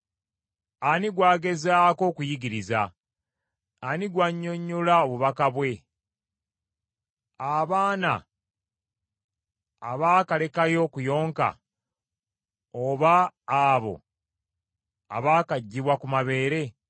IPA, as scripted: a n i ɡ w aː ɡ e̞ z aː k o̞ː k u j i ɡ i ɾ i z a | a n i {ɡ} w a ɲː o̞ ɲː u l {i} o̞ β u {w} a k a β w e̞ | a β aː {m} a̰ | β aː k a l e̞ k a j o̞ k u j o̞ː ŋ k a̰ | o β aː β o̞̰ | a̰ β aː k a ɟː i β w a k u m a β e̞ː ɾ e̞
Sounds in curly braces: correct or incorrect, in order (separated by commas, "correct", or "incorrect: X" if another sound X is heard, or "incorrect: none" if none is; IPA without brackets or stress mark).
correct, incorrect: a, incorrect: β, incorrect: n